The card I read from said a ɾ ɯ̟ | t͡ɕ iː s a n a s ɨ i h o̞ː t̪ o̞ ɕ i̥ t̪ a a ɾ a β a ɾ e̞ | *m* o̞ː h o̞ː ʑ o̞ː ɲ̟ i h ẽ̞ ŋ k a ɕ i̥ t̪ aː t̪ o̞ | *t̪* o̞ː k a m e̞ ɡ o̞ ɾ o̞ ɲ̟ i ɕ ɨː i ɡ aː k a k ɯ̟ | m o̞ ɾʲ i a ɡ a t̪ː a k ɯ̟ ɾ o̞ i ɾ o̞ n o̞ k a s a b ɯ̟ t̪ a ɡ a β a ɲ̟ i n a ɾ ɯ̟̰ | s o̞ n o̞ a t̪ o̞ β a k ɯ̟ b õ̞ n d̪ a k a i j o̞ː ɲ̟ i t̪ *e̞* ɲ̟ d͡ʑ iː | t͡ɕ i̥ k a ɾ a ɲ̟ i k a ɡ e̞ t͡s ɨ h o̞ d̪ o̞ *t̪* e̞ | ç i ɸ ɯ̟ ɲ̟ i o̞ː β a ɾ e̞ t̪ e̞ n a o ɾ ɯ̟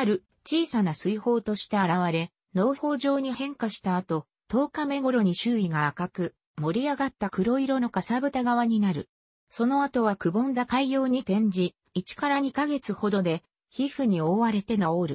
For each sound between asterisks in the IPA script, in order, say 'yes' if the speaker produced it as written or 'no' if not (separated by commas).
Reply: no, yes, no, no